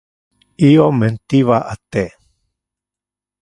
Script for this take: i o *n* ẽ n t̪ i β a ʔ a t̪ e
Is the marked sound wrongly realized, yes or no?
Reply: yes